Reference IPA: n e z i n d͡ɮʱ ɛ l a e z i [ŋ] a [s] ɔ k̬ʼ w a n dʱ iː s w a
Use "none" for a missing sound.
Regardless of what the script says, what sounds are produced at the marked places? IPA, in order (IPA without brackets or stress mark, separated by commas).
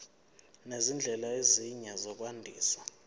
ɲ, z